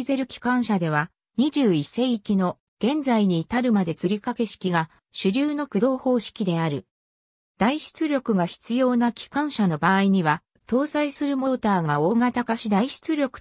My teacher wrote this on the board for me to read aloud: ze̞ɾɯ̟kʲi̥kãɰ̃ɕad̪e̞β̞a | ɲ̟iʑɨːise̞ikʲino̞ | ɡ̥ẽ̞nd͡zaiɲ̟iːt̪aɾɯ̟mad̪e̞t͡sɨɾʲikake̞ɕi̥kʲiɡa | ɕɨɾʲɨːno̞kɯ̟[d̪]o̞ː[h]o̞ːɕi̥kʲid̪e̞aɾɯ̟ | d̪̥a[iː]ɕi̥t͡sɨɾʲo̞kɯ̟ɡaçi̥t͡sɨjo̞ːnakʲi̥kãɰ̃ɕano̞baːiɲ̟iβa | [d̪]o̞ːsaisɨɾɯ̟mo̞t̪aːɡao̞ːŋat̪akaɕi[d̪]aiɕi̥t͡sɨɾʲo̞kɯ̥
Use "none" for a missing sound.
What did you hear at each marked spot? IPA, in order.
d̪, h, i, t̪, d̪

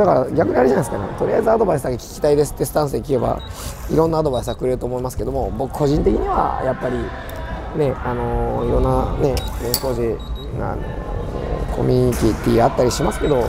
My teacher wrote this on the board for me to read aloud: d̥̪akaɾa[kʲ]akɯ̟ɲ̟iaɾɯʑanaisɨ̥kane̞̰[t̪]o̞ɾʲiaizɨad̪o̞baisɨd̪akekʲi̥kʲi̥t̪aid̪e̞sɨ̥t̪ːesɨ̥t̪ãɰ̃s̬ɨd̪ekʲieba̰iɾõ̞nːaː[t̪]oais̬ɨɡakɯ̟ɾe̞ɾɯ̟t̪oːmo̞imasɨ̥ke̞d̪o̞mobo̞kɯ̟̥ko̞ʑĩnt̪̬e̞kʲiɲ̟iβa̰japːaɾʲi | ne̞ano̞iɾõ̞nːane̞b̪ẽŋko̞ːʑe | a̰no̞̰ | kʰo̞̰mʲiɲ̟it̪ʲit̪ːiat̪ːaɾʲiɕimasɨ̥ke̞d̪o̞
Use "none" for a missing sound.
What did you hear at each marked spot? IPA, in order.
ɡʲ, t̪, d̪

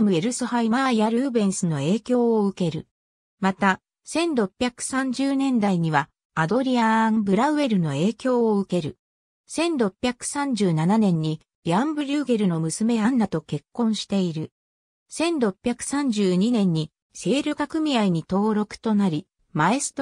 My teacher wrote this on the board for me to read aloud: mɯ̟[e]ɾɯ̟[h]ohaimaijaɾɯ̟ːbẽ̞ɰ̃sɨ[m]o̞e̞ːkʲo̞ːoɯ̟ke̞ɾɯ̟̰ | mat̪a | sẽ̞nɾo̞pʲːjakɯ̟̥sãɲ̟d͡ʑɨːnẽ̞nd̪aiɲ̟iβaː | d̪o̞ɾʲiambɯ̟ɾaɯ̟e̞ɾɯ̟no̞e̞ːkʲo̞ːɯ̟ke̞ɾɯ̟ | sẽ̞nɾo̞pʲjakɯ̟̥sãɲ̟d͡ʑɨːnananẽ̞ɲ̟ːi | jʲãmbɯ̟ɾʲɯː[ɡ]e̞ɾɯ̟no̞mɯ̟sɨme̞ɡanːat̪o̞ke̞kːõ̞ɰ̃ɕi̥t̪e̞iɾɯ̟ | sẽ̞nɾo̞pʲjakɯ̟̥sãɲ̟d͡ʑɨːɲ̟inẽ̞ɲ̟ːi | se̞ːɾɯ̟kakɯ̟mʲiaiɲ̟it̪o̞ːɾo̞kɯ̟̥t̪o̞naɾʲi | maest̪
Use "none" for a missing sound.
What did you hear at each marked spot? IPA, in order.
e, s, n, ɡ

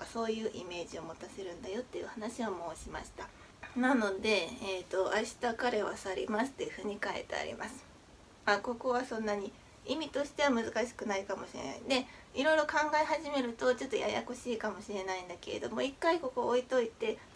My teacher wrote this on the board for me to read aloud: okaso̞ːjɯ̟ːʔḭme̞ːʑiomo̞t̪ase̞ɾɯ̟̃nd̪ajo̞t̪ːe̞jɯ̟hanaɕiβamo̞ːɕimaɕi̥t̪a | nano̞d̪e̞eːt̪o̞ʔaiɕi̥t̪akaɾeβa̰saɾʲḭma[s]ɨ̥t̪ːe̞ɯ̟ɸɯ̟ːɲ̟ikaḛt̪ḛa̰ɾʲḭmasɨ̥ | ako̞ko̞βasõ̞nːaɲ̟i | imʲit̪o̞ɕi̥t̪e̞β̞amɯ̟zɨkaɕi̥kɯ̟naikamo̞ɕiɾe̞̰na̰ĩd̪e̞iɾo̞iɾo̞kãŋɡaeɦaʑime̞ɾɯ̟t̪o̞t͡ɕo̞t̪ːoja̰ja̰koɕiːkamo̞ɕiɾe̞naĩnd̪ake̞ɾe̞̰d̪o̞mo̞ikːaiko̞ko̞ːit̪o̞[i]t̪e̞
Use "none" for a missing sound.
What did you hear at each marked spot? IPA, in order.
s, i

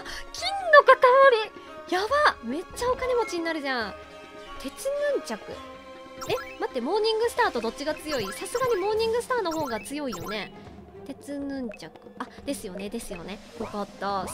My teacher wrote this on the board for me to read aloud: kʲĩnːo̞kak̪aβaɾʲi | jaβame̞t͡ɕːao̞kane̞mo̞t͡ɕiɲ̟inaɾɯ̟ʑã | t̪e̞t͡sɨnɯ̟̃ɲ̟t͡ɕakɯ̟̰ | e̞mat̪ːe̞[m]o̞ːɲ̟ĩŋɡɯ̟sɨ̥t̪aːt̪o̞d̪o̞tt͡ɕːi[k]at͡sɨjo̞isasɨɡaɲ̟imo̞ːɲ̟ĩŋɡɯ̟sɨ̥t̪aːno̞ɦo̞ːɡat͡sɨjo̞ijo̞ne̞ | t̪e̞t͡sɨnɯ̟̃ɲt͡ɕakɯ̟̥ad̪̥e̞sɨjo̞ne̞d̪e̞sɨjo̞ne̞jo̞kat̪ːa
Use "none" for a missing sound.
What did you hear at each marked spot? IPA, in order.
m, ɡ

